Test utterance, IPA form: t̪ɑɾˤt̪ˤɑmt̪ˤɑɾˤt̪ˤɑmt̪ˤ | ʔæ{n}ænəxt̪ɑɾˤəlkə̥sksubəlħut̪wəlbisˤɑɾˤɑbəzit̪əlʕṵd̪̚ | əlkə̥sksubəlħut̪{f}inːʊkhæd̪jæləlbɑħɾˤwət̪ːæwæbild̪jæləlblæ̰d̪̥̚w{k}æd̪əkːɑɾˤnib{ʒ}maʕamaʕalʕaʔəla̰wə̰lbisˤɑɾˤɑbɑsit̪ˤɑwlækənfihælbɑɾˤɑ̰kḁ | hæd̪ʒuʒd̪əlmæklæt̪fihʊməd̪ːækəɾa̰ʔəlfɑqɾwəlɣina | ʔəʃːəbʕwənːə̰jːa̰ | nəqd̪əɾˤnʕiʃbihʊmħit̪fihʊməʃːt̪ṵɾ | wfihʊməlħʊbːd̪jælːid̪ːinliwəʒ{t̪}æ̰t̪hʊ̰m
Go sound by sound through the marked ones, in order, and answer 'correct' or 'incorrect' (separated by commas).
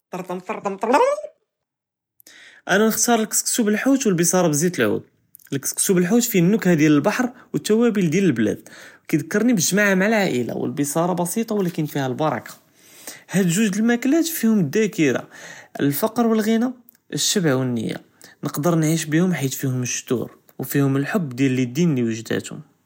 correct, correct, correct, correct, incorrect